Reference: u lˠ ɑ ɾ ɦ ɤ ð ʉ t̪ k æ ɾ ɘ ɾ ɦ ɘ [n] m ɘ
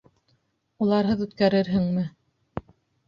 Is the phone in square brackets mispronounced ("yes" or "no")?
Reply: yes